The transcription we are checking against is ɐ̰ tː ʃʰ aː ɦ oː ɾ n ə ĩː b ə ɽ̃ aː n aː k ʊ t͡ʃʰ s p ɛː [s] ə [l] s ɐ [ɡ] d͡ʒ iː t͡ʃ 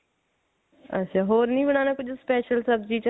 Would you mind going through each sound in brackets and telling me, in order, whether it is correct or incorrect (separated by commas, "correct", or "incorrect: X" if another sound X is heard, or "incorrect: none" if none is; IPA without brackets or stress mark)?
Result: incorrect: ʃ, correct, incorrect: b